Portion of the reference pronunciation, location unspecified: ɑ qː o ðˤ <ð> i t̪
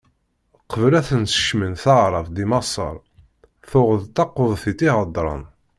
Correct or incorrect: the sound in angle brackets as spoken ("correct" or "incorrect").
incorrect